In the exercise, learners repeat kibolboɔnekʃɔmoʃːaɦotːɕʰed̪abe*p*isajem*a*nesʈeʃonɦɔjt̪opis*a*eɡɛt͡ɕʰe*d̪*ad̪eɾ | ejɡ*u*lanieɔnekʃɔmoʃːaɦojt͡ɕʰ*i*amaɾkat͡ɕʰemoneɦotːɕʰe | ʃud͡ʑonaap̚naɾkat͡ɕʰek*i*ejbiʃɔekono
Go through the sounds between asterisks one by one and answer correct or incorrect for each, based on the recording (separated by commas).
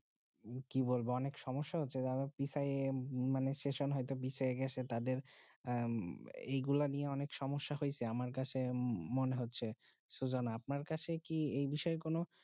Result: correct, correct, correct, incorrect, correct, incorrect, correct